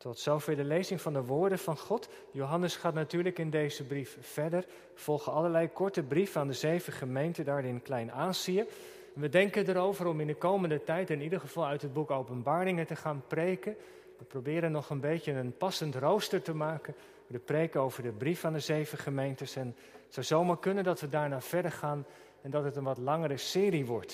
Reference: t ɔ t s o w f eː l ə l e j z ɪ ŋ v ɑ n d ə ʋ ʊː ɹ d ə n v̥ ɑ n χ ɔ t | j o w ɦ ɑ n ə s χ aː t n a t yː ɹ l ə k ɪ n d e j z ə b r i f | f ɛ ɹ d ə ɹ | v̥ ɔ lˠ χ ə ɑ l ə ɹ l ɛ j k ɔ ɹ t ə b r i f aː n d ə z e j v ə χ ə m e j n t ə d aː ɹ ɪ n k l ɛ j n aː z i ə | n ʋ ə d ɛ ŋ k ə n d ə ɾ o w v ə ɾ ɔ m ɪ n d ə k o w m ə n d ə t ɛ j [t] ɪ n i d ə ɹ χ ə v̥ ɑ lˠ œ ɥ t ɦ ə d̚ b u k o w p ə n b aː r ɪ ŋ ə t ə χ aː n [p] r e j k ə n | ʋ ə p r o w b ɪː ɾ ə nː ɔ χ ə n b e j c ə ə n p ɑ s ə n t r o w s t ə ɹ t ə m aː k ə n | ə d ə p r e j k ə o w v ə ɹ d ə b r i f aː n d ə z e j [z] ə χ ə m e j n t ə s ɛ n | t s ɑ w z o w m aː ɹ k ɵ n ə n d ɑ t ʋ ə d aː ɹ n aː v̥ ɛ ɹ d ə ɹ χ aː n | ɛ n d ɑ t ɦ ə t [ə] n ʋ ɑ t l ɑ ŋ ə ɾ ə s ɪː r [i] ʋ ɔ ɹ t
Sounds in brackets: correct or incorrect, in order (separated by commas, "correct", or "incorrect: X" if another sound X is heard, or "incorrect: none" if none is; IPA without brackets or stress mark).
correct, correct, incorrect: v, correct, correct